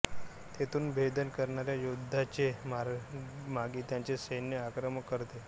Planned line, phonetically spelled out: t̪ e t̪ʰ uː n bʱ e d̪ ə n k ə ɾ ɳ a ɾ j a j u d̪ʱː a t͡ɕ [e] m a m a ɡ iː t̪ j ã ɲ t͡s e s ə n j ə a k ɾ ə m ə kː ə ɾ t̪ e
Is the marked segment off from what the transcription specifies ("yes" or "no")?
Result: no